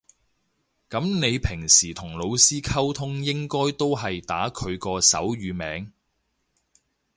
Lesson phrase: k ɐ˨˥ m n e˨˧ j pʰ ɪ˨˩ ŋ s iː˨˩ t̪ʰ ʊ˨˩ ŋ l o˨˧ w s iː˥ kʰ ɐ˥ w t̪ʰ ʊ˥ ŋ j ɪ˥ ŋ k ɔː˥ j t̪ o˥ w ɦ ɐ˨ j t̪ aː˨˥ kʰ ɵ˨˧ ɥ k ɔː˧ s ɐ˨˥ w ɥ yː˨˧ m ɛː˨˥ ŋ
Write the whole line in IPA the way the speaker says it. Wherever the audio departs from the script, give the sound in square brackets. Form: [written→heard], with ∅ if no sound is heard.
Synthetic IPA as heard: k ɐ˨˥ m n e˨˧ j pʰ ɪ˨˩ ŋ s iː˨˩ t̪ʰ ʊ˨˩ ŋ l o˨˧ w s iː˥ kʰ ɐ˥ w t̪ʰ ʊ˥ ŋ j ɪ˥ ŋ k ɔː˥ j t̪ o˥ w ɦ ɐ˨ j t̪ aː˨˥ kʰ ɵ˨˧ ɥ k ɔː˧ s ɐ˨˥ w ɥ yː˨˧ m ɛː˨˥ ŋ